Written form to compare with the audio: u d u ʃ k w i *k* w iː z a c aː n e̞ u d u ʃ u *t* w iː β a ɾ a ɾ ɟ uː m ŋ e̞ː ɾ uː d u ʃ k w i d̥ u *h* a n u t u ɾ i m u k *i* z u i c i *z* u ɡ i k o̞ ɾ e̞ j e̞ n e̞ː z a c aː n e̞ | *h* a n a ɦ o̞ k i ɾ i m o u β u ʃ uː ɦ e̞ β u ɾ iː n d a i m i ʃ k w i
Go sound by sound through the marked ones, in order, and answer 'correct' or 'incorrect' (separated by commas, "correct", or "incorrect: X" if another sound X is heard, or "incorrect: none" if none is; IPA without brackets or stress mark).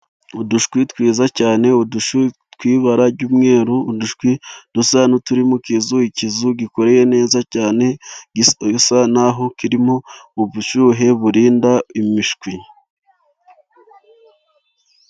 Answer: incorrect: t, correct, incorrect: s, correct, correct, incorrect: s